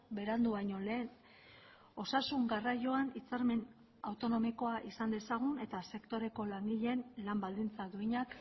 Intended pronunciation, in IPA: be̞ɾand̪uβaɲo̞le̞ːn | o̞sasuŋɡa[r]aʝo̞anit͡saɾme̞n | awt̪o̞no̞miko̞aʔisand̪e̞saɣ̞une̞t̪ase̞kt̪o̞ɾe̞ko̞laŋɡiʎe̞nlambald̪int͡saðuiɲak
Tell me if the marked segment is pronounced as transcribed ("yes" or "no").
yes